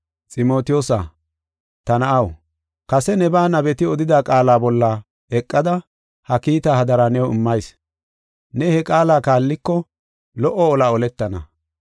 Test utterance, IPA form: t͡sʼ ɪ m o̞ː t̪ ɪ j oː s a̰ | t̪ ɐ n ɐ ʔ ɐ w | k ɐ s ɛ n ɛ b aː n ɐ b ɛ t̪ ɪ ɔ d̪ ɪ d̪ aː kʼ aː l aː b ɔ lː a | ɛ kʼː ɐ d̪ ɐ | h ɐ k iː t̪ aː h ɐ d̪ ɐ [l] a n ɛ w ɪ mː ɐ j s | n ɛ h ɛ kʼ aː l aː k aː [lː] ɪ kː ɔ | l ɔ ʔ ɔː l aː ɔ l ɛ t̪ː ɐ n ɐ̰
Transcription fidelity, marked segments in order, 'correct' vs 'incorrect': incorrect: ɾ, correct

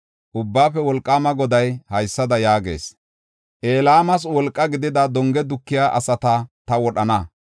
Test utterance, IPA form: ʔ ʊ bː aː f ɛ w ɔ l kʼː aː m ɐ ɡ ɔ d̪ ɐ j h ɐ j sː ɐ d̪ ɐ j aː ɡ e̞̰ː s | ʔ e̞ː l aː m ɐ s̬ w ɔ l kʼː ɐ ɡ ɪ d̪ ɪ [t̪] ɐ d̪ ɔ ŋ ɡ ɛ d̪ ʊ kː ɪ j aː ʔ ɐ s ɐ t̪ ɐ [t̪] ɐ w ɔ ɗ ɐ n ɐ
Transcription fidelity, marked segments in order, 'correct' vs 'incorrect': incorrect: d̪, correct

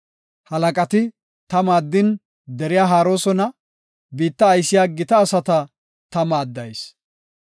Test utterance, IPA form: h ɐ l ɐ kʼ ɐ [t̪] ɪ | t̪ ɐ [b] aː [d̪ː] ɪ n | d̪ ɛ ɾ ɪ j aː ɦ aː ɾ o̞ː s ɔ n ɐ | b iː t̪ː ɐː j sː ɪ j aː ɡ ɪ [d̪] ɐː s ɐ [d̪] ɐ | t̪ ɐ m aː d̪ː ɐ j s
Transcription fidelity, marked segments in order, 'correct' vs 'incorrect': correct, incorrect: m, correct, incorrect: t̪, incorrect: t̪

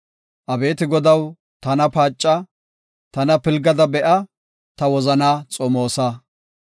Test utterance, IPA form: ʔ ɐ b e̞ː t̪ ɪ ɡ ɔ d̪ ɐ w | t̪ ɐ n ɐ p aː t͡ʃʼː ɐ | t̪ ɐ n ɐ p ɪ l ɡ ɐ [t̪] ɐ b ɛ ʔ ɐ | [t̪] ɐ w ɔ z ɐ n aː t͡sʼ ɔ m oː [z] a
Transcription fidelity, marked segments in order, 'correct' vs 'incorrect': incorrect: d̪, correct, incorrect: s

